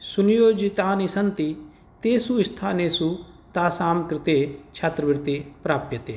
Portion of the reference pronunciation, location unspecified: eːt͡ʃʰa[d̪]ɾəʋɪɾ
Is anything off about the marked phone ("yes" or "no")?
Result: yes